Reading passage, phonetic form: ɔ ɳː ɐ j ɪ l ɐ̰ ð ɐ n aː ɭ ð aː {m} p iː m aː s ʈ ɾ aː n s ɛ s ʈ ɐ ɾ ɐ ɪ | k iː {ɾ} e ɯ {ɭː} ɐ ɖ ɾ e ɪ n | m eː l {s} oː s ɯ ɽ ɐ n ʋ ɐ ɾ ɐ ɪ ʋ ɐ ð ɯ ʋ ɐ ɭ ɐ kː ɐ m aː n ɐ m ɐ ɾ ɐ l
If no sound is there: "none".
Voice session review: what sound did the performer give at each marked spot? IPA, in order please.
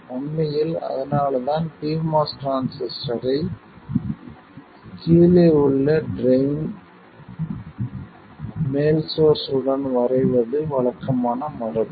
n, l, ɭː, s

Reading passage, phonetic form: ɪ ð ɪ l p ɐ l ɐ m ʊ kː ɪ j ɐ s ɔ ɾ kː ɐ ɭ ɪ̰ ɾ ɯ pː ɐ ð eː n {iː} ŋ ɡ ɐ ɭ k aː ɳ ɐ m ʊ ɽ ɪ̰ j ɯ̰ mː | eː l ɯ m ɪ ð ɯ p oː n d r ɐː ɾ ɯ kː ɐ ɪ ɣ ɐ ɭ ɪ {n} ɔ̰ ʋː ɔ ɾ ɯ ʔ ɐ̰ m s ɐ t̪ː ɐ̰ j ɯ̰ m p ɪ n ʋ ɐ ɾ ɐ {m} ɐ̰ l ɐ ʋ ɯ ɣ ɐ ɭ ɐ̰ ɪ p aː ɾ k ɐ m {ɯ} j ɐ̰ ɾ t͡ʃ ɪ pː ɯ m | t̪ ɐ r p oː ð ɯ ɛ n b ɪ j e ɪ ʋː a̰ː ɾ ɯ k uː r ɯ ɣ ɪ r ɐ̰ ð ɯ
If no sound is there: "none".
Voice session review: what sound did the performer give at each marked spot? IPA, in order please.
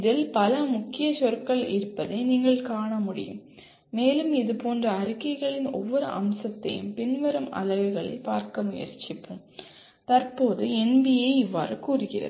iː, n, m, ʊ

